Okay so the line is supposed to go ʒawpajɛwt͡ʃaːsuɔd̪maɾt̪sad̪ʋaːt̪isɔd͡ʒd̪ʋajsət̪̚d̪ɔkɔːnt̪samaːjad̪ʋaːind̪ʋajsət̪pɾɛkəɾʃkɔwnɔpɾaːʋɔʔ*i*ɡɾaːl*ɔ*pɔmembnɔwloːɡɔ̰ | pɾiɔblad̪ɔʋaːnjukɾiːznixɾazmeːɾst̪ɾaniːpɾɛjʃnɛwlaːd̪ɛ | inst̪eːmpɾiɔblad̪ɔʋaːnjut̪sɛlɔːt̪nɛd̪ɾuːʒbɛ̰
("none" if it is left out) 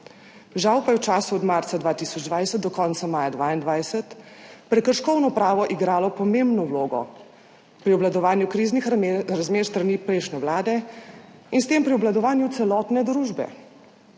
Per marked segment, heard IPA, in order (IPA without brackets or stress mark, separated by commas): i, ɔ